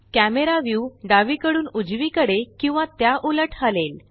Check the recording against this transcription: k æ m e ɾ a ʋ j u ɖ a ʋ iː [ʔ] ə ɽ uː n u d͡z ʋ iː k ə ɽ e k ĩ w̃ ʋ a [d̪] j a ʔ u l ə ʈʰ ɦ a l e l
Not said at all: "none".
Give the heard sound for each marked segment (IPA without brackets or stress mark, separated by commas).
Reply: k, t̪